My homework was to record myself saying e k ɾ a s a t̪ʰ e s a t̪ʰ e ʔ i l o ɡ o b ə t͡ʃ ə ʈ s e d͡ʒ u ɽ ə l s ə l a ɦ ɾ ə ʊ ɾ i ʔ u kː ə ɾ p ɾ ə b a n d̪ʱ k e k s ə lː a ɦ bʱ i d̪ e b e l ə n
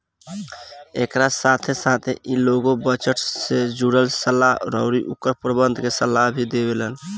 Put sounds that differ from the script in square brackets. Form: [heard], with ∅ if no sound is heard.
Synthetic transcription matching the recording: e k ɾ a s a t̪ʰ e s a t̪ʰ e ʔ i l o ɡ o b ə t͡ʃ ə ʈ s e d͡ʒ u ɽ ə l s ə l a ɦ ɾ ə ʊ ɾ i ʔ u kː ə ɾ p ɾ ə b [ə] n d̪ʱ k e [∅] s ə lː a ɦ bʱ i d̪ e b e l ə n